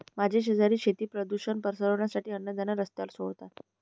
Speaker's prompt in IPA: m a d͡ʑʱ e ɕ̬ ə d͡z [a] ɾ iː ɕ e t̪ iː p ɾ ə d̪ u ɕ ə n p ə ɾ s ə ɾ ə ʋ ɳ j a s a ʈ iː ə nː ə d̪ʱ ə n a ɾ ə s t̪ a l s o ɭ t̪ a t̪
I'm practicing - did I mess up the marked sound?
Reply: no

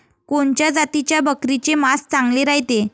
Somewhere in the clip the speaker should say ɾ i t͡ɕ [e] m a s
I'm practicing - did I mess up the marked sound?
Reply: no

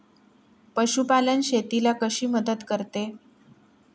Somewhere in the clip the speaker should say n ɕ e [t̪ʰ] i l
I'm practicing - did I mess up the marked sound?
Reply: yes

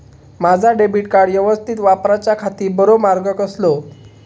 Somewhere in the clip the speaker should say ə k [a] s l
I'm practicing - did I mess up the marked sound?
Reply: yes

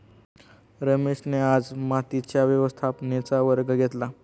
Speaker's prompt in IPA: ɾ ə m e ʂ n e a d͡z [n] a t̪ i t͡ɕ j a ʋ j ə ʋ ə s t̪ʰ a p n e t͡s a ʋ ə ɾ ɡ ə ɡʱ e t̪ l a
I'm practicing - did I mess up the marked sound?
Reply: yes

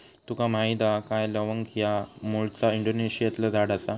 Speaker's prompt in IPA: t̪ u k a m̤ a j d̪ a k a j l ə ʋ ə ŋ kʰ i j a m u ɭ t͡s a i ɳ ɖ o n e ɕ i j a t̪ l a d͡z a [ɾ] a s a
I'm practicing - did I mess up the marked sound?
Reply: yes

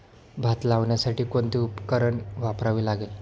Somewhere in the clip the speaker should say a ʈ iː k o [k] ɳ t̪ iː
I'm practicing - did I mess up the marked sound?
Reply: yes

